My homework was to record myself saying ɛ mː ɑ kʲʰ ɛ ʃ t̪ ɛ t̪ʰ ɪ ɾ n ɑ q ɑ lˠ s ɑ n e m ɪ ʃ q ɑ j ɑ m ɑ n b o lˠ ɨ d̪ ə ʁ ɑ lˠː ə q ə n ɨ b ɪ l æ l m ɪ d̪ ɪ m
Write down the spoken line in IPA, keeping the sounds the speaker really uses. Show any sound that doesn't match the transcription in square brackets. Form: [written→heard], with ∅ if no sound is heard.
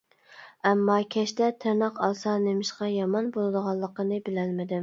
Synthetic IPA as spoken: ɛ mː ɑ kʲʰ ɛ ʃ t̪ ɛ t̪ʰ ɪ ɾ n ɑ q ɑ lˠ s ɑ n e m ɪ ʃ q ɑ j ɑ m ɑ n b o lˠ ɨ d̪ ə ʁ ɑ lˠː ə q ə n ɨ b ɪ l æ l m ɪ d̪ ɪ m

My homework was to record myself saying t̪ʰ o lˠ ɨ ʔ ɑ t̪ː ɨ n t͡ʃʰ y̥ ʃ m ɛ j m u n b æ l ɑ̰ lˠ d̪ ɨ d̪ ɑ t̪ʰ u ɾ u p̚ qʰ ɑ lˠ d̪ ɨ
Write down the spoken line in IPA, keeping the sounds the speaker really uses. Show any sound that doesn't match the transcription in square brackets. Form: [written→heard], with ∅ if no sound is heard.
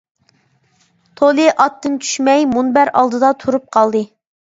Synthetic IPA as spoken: t̪ʰ o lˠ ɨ ʔ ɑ t̪ː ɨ n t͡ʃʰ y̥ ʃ m ɛ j m u n b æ [l→ɾ] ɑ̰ lˠ d̪ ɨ d̪ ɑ t̪ʰ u ɾ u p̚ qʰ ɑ lˠ d̪ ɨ

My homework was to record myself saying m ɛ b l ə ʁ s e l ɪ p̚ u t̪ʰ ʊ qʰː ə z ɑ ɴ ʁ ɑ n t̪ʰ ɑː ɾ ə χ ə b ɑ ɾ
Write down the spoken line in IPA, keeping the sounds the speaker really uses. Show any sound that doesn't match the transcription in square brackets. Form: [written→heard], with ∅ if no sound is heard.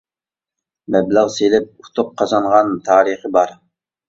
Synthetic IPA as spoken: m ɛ b l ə ʁ s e l ɪ p̚ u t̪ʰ ʊ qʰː [ə→ɑ] z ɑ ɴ ʁ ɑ n t̪ʰ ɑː ɾ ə χ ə b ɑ ɾ

